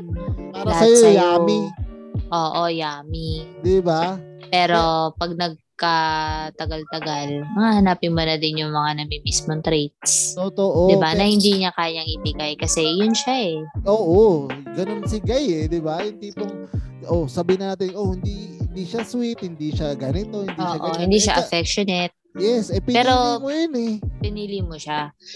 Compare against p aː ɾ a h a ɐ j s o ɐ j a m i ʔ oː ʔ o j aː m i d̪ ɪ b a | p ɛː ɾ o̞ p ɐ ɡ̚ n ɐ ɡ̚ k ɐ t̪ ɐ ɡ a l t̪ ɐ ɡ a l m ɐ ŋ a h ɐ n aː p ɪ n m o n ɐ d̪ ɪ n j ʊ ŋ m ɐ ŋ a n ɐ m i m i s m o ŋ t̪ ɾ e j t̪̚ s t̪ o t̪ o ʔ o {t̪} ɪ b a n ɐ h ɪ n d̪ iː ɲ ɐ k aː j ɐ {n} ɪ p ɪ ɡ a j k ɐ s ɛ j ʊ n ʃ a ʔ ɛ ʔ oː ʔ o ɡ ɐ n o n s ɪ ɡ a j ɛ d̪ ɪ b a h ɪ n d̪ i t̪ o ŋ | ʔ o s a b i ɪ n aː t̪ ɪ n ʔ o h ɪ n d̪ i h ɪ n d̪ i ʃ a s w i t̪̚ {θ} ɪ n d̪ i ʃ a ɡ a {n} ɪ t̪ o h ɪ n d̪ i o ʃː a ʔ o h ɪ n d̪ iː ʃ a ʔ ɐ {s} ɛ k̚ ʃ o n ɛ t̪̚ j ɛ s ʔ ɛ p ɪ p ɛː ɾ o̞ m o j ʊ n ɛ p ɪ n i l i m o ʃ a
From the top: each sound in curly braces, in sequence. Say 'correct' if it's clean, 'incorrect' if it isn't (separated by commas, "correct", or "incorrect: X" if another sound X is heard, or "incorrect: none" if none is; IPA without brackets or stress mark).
incorrect: d̪, incorrect: ŋ, incorrect: h, correct, incorrect: f